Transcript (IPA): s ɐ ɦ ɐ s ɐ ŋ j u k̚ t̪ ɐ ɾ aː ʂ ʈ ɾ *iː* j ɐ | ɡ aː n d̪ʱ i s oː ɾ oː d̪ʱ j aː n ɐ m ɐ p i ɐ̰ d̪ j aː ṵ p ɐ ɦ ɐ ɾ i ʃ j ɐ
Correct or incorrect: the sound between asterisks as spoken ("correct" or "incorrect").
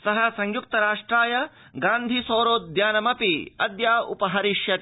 incorrect